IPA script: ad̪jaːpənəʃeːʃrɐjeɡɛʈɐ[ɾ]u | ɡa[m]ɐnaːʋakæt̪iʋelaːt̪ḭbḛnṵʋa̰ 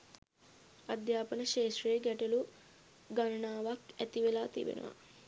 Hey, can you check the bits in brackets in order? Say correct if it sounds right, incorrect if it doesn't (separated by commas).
incorrect, incorrect